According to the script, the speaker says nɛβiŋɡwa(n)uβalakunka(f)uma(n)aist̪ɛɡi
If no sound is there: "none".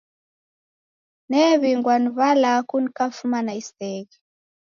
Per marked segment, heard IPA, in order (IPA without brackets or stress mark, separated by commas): n, f, n